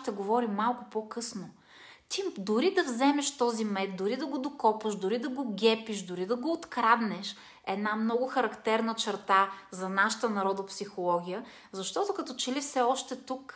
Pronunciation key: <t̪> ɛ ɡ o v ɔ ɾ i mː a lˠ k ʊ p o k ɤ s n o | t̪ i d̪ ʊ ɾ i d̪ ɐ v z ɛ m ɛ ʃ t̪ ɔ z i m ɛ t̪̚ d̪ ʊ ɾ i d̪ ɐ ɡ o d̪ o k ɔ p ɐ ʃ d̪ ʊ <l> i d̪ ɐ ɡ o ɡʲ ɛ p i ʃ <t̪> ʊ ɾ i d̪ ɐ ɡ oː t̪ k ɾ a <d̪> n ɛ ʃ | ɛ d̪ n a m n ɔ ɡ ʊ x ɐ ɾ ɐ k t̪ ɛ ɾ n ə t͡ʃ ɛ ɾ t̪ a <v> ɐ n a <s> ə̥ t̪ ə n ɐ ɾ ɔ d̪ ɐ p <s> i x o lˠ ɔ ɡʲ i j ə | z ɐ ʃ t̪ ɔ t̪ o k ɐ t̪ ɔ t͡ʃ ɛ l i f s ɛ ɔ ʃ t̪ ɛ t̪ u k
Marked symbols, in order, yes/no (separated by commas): yes, no, no, yes, no, no, yes